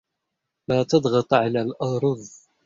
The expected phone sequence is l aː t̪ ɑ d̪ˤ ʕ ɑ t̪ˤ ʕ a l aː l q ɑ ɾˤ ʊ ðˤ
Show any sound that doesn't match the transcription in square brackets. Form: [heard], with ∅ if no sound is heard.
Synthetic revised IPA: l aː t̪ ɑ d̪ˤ [ɣ] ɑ t̪ˤ ʕ a l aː l [ʔ] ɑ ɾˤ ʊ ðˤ